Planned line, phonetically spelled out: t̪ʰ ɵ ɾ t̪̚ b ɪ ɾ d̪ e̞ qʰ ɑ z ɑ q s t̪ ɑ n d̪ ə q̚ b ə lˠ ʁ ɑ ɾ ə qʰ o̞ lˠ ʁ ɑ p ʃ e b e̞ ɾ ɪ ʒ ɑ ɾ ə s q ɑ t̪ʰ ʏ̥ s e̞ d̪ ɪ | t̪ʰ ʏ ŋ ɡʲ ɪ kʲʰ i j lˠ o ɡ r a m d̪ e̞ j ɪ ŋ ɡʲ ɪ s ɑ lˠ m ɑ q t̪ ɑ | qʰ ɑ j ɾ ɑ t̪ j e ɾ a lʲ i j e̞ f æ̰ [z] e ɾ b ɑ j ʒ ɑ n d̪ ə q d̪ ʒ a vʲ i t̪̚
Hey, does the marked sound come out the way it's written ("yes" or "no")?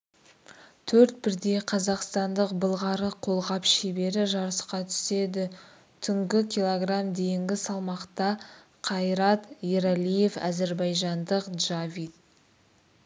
yes